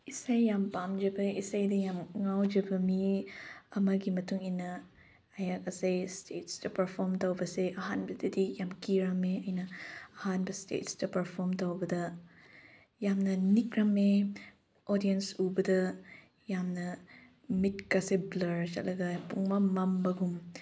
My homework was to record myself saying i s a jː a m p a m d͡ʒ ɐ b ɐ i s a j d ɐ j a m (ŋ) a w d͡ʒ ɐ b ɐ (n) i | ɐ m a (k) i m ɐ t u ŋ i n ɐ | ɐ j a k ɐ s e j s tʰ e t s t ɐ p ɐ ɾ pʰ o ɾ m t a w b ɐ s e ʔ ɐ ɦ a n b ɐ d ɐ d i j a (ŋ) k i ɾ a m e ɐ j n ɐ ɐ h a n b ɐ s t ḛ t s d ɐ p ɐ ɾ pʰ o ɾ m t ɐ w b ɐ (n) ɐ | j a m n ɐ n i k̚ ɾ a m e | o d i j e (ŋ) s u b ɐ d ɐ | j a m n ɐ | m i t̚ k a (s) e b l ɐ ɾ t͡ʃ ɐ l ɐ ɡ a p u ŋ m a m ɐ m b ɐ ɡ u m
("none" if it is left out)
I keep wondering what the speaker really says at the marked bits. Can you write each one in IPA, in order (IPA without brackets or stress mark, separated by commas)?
ŋ, m, ɡ, m, d, n, s